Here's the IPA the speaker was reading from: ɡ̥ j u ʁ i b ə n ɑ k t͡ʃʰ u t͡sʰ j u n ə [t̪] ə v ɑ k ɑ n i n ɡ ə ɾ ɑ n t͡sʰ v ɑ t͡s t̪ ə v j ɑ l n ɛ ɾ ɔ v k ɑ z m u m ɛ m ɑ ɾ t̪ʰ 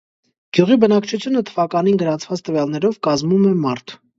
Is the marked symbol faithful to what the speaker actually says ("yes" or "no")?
no